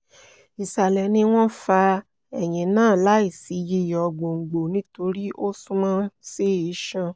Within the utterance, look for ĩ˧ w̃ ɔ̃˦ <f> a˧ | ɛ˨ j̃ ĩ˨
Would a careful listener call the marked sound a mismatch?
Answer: no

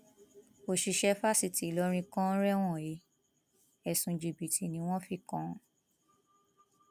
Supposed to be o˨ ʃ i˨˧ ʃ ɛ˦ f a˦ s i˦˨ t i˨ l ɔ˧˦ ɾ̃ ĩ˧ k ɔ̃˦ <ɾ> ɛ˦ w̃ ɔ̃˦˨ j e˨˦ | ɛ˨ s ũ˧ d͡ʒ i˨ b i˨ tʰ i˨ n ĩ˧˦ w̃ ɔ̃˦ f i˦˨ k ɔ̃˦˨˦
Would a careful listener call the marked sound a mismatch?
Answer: no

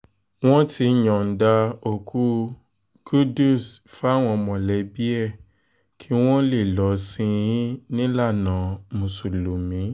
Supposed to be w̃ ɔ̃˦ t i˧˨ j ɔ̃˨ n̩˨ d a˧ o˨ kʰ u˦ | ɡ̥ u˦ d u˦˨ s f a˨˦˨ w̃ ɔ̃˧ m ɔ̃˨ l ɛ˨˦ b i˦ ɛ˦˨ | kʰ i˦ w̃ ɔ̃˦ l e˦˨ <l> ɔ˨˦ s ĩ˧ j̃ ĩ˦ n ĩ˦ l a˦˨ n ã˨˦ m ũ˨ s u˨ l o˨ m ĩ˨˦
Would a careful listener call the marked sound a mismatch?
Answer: no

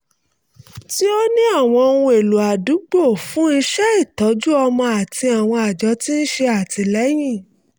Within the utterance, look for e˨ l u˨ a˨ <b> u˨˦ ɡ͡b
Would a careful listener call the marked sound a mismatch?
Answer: yes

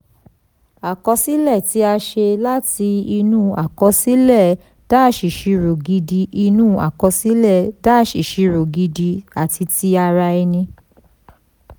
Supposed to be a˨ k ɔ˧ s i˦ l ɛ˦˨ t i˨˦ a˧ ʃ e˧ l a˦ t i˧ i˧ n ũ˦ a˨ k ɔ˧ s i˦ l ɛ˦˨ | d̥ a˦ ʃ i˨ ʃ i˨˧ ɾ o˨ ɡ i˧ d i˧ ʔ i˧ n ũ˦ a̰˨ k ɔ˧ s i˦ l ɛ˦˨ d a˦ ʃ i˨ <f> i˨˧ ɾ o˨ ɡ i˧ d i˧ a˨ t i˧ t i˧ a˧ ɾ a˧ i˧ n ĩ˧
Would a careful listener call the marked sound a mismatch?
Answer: yes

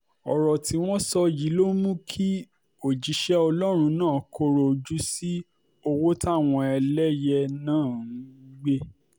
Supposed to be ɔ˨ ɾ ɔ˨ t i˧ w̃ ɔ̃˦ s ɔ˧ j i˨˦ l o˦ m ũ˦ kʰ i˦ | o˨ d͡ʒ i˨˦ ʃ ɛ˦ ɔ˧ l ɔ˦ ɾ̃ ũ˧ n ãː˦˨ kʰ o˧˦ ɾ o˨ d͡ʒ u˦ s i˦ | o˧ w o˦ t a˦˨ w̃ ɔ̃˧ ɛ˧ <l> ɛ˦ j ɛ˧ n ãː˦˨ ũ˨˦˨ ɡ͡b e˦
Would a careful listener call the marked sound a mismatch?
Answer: no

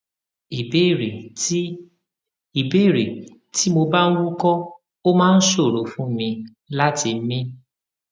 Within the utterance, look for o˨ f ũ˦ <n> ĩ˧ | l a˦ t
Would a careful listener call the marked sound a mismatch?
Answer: yes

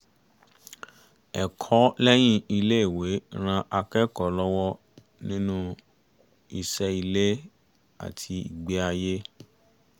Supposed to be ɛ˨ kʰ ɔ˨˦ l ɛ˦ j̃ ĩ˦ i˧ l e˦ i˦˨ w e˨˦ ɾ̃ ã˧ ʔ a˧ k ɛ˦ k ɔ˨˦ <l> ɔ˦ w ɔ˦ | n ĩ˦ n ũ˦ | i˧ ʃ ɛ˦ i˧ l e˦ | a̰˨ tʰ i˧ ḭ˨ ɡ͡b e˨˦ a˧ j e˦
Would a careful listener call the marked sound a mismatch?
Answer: no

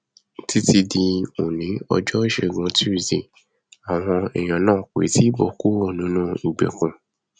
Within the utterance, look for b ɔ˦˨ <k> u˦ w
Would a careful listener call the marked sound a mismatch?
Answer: no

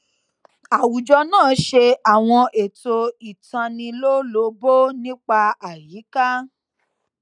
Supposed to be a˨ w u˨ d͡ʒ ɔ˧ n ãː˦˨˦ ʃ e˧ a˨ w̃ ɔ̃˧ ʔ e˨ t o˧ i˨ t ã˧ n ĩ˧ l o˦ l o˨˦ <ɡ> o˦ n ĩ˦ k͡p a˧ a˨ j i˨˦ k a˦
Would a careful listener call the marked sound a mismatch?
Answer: yes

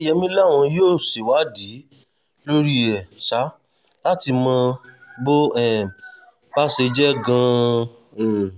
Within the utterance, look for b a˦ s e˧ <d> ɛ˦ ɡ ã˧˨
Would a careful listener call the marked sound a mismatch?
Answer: yes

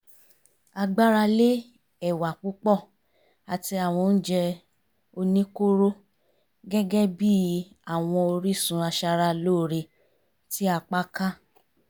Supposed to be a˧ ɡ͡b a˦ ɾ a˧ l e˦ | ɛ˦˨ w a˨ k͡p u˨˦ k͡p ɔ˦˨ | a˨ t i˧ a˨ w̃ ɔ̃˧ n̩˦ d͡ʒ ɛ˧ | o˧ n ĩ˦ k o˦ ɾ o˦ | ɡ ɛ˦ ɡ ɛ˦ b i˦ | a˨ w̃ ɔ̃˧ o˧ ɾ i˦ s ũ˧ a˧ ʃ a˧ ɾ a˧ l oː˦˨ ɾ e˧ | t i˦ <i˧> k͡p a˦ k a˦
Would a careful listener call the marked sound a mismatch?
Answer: yes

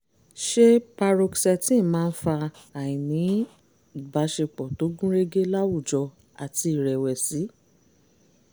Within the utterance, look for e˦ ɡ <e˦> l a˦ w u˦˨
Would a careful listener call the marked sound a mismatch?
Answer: no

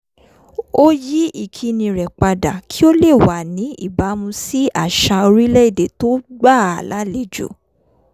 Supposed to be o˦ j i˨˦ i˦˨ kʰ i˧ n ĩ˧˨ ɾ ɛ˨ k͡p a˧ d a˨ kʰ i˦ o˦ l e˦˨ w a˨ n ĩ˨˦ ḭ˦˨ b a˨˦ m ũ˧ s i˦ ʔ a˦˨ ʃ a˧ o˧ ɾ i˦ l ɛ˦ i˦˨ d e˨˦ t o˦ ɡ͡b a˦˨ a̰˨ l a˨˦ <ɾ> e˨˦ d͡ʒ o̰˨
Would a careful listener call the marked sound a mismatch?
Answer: yes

